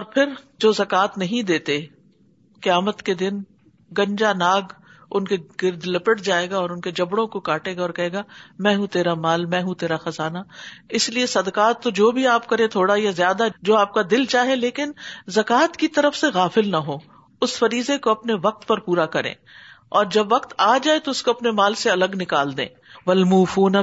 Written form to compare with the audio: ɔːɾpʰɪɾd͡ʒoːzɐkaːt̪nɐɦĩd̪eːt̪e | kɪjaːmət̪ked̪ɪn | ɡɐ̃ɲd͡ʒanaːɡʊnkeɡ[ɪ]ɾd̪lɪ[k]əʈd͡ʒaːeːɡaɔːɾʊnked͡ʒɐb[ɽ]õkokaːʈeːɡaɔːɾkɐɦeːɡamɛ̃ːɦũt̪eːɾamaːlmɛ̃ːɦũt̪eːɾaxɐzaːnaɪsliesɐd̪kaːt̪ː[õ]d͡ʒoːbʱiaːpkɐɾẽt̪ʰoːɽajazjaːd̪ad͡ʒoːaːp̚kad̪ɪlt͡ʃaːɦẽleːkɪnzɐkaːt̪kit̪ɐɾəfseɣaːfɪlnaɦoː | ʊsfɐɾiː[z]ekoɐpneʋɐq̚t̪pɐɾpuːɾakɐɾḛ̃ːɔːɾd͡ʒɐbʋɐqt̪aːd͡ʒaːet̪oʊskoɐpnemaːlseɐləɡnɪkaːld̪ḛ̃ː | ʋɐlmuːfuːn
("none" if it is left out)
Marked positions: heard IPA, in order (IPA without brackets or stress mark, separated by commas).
ɪ, p, ɽ, o, z